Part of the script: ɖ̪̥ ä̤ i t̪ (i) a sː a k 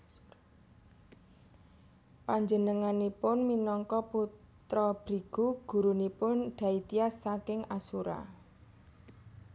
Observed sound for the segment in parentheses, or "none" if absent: i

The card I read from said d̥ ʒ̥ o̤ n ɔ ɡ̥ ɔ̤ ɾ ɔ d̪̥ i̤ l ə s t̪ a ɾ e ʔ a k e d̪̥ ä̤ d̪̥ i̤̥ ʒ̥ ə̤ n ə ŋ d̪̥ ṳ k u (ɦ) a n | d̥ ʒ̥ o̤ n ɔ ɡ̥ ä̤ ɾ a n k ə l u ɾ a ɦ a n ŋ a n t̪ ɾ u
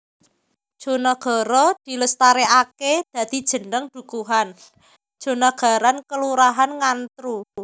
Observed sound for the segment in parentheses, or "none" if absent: ɦ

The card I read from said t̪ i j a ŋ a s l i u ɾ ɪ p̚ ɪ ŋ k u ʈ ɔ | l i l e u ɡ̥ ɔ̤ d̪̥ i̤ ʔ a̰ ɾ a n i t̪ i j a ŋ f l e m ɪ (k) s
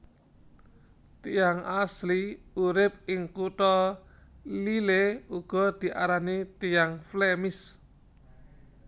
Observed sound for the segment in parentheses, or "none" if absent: none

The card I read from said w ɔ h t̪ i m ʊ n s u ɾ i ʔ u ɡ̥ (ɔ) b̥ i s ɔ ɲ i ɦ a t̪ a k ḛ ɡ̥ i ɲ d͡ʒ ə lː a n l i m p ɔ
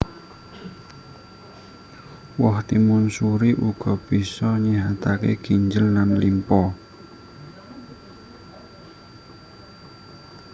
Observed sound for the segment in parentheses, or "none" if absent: ɔ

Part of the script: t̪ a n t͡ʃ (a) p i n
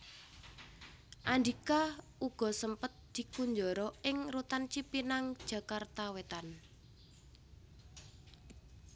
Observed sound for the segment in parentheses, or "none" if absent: i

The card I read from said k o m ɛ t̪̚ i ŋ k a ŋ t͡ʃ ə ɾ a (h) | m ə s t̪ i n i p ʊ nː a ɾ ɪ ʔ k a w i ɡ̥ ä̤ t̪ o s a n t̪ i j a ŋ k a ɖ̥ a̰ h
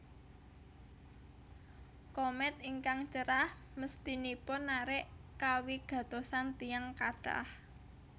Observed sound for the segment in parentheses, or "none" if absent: h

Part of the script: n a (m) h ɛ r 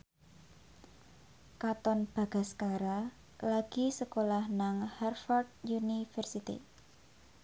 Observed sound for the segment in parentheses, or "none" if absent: ŋ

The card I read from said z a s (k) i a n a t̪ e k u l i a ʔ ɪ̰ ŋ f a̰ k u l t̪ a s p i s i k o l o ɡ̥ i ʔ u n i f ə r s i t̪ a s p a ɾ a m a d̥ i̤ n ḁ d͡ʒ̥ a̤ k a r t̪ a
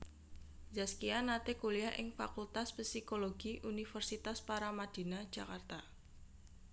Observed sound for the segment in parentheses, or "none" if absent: k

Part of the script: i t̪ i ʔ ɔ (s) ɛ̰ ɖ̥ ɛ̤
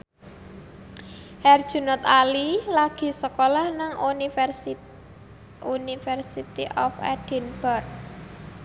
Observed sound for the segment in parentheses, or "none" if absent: f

